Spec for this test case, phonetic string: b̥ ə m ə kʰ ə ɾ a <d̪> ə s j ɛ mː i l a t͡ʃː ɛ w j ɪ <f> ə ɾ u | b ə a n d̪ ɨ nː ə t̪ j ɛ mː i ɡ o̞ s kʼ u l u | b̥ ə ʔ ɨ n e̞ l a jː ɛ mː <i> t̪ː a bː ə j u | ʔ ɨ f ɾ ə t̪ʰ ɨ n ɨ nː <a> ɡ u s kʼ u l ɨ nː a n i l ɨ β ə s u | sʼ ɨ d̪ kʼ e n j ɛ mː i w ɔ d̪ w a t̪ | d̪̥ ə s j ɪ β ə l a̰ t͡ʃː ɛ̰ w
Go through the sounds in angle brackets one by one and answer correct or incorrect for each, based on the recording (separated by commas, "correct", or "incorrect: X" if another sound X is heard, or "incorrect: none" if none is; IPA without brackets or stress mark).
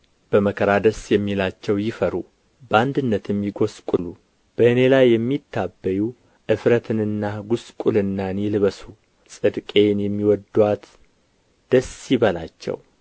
correct, correct, correct, correct